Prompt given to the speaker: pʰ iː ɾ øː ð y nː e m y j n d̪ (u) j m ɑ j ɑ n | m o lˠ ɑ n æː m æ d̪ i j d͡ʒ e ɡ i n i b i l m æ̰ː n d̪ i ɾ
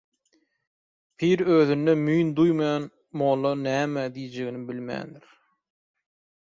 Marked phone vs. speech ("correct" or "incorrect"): correct